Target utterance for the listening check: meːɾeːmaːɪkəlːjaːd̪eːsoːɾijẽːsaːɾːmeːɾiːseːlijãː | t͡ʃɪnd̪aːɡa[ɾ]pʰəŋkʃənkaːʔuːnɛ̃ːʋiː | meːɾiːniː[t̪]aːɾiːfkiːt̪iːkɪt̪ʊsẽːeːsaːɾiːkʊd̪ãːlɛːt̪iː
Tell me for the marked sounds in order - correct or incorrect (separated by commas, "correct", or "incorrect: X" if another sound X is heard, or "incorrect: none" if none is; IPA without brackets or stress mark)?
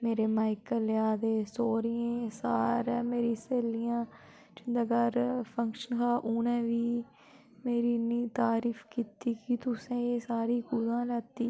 correct, correct